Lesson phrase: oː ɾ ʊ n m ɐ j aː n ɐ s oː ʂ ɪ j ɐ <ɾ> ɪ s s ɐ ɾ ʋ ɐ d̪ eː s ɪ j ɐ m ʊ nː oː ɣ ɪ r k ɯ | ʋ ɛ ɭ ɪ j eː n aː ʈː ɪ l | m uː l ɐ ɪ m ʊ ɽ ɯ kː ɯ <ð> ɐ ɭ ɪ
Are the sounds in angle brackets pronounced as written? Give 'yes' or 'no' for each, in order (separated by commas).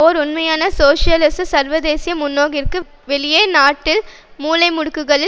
no, no